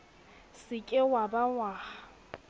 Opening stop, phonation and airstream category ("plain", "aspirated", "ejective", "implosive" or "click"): ejective